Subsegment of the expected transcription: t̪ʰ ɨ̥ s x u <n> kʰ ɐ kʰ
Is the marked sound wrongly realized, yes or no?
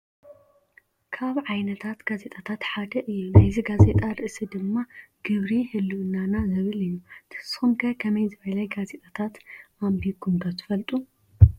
yes